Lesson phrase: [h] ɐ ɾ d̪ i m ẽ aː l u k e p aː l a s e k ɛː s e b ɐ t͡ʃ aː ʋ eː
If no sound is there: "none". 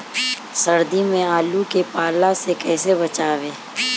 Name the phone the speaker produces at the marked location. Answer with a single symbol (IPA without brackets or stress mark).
s